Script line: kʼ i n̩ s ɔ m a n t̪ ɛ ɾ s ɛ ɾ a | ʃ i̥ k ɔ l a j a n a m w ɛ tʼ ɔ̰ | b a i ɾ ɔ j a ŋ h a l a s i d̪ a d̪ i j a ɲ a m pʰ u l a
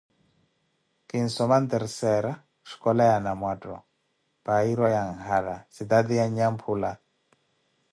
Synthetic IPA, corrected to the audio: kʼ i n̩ s ɔ m a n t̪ ɛ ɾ s ɛ ɾ a | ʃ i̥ k ɔ l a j a n a m w a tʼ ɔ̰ | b a i ɾ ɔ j a ŋ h a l a s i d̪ a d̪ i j a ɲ a m pʰ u l a